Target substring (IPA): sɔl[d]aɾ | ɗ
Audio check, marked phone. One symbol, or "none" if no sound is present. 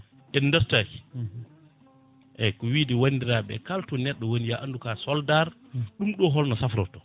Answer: d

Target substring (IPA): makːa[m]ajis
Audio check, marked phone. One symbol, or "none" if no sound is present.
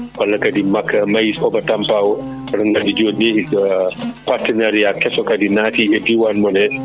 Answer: m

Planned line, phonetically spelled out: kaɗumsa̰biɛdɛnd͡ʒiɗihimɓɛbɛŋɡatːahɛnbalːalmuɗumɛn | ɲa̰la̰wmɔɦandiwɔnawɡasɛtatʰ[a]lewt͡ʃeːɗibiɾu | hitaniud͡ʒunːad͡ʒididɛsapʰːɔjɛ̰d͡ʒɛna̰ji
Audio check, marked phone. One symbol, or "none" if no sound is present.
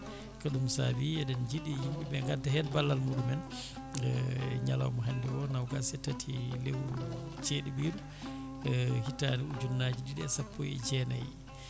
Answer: i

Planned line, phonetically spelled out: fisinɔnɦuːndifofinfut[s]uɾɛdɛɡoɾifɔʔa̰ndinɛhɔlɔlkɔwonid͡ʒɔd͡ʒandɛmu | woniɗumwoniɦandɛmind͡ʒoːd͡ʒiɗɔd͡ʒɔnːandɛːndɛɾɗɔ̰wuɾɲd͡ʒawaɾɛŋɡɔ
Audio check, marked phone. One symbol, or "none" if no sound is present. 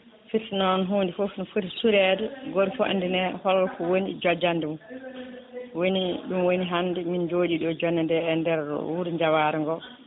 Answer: s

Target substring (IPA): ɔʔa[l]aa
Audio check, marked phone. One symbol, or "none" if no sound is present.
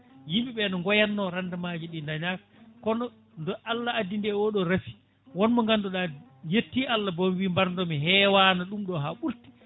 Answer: lː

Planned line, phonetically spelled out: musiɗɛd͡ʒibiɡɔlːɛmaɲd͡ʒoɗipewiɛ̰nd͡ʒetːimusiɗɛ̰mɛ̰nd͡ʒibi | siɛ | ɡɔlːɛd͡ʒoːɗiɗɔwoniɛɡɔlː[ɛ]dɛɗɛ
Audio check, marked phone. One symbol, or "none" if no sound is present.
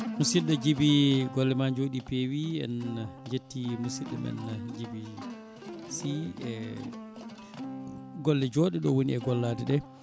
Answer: a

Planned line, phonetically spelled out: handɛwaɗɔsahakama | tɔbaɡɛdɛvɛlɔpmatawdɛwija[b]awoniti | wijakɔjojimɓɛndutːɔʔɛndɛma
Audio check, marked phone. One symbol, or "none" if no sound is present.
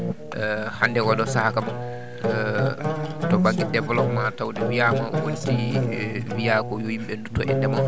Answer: m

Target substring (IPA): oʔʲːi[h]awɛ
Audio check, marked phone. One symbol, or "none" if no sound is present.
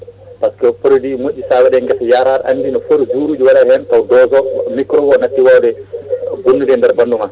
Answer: s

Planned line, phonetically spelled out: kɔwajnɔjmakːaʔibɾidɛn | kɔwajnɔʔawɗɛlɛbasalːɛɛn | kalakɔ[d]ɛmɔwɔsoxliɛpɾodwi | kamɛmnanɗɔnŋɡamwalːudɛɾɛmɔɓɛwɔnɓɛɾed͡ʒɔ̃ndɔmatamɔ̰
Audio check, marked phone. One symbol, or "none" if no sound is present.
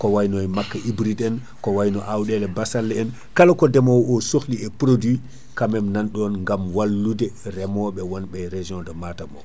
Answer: d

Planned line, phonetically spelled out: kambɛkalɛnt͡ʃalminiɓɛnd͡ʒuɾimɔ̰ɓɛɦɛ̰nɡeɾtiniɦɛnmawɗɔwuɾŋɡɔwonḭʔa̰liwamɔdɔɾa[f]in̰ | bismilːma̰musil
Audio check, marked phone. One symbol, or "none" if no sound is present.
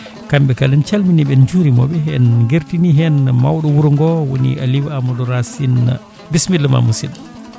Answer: s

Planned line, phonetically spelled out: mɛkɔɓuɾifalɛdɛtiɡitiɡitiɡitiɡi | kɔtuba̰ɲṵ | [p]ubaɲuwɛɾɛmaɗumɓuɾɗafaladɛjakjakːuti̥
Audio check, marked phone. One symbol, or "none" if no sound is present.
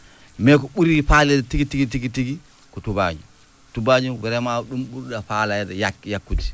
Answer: t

